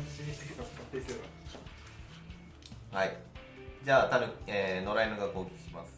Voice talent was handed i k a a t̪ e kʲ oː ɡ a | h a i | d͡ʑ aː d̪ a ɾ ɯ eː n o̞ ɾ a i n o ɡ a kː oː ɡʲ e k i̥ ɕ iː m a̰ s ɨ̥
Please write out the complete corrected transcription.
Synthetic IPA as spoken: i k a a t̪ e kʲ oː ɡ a | h a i | d͡ʑ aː t̪ a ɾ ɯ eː n o̞ ɾ a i n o ɡ a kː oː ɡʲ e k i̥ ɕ i m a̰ s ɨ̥